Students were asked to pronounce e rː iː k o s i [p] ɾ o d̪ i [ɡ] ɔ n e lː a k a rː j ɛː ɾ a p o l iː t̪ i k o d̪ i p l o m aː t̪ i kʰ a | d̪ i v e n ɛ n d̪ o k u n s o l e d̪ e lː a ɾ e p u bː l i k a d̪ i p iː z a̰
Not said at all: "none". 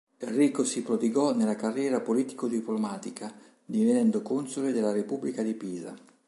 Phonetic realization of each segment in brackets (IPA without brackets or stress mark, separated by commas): p, ɡ